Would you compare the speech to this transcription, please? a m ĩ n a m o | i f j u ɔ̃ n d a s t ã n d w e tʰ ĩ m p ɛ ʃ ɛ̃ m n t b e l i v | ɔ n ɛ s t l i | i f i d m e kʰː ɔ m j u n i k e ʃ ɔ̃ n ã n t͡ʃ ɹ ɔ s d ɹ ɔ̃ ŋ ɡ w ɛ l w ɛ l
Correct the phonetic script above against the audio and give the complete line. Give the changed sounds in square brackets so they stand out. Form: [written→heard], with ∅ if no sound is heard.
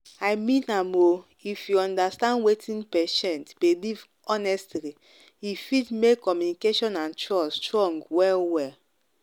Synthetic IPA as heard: a m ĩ n a m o | i f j u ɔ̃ n d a s t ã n d w e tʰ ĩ [m→n] p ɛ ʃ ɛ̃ [m→∅] n t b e l i v | ɔ n ɛ s t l i | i f i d m e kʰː ɔ m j u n i k e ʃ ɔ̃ n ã n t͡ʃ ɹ ɔ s [d→t] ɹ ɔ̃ ŋ ɡ w ɛ l w ɛ l